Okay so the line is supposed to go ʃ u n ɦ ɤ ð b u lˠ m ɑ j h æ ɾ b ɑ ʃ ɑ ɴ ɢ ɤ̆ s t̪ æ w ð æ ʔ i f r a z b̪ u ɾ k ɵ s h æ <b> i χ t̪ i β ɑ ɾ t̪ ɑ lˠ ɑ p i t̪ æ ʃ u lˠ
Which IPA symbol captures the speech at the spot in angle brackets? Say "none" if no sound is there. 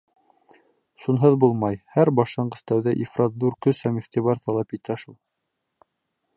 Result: m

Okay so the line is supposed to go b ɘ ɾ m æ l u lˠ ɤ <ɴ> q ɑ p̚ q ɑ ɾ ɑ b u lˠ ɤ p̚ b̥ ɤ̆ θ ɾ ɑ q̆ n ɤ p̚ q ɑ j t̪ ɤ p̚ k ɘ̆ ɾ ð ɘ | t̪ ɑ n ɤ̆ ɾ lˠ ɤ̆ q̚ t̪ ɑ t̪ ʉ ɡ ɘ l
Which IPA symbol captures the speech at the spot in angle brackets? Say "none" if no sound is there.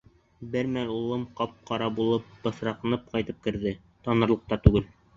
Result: m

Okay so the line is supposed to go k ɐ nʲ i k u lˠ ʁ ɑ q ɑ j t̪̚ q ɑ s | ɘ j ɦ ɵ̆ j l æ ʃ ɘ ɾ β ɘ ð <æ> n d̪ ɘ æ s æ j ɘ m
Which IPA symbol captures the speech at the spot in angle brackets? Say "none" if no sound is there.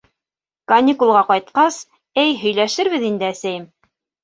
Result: i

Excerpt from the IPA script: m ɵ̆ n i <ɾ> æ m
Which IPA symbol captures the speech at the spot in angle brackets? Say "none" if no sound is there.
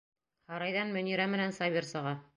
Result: ɾ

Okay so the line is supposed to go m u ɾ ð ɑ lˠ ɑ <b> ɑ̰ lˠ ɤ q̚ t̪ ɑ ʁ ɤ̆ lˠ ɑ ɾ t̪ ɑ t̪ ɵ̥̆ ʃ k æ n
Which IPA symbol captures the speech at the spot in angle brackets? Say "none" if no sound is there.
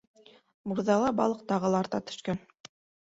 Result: b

